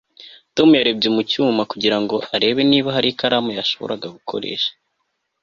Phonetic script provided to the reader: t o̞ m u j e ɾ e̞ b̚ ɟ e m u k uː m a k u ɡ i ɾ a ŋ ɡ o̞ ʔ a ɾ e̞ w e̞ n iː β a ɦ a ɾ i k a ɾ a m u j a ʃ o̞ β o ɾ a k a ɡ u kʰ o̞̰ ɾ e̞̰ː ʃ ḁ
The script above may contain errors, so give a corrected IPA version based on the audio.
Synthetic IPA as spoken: t o̞ m u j a ɾ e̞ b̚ ɟ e m u c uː m a k u ɟ i ɾ a ŋ ɡ o̞ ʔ a ɾ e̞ β e̞ n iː β a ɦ a ɾ i k a ɾ a m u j a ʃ o̞ β o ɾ a ɡ a ɡ u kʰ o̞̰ ɾ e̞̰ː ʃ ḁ